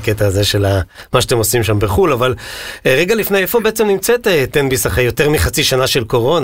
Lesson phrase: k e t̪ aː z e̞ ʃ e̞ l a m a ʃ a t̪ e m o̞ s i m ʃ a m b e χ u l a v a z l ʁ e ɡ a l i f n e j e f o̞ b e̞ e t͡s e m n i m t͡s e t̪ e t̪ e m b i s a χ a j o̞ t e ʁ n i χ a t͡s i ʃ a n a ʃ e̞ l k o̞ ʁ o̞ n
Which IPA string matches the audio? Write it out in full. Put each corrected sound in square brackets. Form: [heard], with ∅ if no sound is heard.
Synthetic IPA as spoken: k e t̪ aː z e̞ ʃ e̞ l a m a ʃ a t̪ e m o̞ s i m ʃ a m b e χ u l a v a [∅] l ʁ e ɡ a l i f n e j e f o̞ b e̞ e t͡s e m n i m t͡s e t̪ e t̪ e [n] b i s a χ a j o̞ t e ʁ [m] i χ a t͡s i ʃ a n a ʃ e̞ l k o̞ ʁ o̞ n